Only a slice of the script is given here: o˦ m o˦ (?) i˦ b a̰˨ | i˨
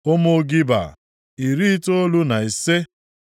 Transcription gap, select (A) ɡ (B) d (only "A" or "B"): A